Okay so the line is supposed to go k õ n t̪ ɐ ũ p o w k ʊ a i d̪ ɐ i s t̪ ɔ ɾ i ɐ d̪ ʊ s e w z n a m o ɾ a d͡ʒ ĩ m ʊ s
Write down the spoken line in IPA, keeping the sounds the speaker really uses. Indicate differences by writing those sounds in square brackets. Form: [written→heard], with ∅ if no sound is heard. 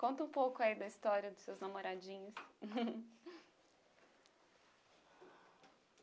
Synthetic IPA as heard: k õ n t̪ ɐ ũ p o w k ʊ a i d̪ ɐ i s t̪ ɔ ɾ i ɐ d̪ ʊ s e w z n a m o ɾ a d͡ʒ ĩ [m→ɲ] ʊ s